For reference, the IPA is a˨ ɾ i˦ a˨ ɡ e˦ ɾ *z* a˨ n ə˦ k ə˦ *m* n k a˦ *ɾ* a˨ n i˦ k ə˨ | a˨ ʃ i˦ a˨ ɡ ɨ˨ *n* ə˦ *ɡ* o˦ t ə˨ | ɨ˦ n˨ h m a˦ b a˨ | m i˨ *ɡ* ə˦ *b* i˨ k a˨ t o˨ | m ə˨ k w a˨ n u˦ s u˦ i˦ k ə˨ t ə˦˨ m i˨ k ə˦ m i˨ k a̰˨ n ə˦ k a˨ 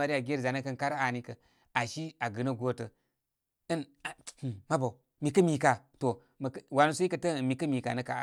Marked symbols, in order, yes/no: yes, no, yes, yes, yes, no, no

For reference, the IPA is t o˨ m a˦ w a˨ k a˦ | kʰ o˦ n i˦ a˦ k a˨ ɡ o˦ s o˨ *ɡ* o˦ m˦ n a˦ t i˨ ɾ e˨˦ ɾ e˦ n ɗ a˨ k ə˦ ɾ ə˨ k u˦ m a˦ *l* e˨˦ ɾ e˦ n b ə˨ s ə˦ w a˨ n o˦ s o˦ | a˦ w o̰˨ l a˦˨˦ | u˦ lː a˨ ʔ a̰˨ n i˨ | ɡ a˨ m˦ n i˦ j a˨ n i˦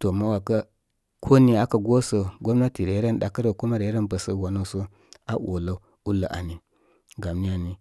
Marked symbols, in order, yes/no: yes, no

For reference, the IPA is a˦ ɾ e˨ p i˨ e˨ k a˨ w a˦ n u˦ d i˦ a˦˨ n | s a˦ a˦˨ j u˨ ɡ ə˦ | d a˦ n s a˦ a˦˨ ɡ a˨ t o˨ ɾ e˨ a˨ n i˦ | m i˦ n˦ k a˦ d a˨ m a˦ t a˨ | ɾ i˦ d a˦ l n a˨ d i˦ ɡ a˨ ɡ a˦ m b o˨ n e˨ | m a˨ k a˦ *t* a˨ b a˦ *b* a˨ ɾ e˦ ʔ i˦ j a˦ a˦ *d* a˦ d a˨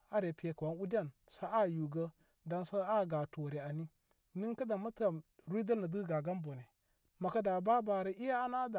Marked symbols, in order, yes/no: no, yes, no

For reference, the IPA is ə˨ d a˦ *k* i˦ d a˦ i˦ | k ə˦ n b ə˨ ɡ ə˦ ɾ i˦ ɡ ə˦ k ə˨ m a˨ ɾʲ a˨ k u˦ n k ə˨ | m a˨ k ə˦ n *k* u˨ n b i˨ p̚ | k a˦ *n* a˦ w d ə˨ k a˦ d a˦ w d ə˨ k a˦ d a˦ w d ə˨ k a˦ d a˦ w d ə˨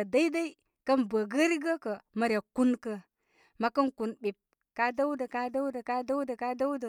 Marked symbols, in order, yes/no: no, yes, no

